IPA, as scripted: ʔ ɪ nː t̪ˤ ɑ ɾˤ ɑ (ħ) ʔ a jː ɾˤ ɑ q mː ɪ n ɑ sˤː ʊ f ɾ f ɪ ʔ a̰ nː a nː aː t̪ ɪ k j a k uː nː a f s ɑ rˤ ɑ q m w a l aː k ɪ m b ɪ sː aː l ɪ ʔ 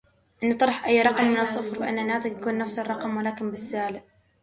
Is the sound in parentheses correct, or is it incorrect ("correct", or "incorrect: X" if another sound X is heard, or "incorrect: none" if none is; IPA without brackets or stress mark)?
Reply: correct